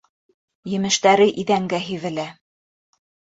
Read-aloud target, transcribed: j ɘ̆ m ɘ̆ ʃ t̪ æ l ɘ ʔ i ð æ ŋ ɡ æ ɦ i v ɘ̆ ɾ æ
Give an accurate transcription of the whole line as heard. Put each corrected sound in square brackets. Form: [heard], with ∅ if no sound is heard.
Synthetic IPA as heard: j ɘ̆ m ɘ̆ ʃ t̪ æ [ɾ] ɘ ʔ i ð æ ŋ ɡ æ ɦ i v ɘ̆ [l] æ

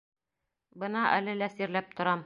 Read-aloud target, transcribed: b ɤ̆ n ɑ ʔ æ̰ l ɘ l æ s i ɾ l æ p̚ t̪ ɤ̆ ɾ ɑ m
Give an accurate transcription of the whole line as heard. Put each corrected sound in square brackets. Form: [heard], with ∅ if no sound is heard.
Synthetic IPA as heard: b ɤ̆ n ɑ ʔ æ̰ l ɘ l æ s i ɾ l æ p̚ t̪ [ŏ] ɾ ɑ m

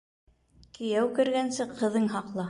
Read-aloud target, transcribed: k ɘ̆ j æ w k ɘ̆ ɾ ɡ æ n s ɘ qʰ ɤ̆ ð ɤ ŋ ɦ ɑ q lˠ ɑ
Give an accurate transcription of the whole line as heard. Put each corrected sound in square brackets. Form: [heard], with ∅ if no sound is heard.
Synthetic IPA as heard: k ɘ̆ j æ w k ɘ̆ ɾ ɡ æ n s ɘ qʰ ɤ̆ ð ɤ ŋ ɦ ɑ q lˠ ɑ

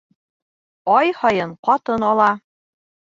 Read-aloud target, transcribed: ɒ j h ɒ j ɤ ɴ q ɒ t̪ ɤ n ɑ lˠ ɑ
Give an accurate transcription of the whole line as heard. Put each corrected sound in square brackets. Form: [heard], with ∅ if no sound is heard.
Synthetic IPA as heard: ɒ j h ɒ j ɤ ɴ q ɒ t̪ ɤ n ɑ lˠ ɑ

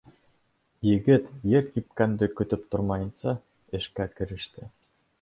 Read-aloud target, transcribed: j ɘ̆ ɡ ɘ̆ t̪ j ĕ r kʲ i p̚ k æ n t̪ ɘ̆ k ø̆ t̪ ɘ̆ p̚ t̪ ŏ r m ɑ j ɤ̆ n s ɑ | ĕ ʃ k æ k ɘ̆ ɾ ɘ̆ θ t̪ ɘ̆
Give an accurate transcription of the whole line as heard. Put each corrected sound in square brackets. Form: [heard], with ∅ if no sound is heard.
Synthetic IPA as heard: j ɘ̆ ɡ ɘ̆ t̪ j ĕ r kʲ i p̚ k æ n [d̪] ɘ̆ k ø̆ t̪ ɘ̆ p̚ t̪ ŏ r m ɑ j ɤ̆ n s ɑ | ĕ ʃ k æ k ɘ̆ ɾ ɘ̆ [ʃ] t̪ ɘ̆

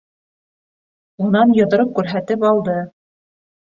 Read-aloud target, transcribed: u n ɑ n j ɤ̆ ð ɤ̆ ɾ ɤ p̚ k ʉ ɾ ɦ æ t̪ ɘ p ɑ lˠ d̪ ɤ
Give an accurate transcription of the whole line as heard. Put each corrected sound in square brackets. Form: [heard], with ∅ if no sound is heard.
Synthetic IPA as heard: u n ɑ n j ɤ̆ ð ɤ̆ ɾ ɤ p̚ k ʉ ɾ ɦ æ t̪ ɘ p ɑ lˠ d̪ ɤ

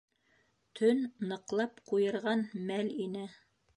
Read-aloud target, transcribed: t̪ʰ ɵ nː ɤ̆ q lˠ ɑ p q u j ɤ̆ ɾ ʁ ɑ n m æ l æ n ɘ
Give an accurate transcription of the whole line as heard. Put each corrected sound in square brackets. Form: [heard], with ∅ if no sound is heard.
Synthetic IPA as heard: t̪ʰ ɵ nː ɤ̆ q lˠ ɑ p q u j ɤ̆ ɾ ʁ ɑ n m æ l [i] n ɘ

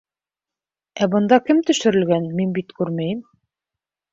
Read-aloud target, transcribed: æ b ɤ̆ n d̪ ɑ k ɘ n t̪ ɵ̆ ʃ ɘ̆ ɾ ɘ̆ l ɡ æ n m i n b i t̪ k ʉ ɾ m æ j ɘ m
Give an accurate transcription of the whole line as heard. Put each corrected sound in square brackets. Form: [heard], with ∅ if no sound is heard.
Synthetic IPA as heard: æ b ɤ̆ n d̪ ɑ k ɘ [m] t̪ ɵ̆ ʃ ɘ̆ ɾ ɘ̆ l ɡ æ n m i n b i t̪ k ʉ ɾ m æ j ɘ m

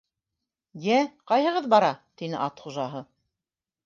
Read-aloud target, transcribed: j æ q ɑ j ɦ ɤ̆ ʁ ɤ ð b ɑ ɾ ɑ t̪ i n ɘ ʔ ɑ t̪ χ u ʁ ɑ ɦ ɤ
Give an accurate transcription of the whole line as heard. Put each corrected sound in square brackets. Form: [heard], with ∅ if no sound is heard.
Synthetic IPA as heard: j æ q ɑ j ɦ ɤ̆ ʁ ɤ ð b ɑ ɾ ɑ t̪ i n ɘ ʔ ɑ t̪ χ u [ʒ] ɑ ɦ ɤ

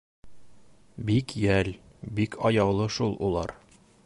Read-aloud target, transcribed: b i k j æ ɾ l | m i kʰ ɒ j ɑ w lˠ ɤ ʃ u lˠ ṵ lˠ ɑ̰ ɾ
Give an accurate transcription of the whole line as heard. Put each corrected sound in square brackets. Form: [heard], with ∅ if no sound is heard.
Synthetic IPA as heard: b i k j æ [∅] l | [b] i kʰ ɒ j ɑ w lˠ ɤ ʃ u lˠ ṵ lˠ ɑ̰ ɾ

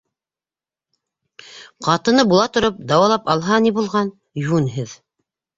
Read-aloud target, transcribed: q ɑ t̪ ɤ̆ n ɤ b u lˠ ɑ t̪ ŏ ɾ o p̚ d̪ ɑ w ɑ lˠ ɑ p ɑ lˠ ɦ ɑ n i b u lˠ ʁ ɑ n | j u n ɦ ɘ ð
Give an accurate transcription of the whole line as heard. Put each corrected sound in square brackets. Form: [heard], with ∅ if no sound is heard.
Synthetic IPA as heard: q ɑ t̪ ɤ̆ n ɤ b u lˠ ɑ t̪ ŏ ɾ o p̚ d̪ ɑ w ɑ lˠ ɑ p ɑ lˠ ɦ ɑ n i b u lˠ ʁ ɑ n | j u n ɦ ɘ ð

